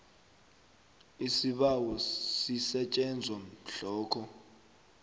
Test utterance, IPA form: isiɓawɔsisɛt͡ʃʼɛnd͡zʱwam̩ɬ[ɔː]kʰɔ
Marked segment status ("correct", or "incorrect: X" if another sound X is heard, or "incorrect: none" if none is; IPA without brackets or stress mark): correct